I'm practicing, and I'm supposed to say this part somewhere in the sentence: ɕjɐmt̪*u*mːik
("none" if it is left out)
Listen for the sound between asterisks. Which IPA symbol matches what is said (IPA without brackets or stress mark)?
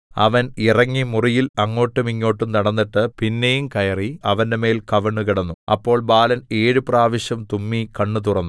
u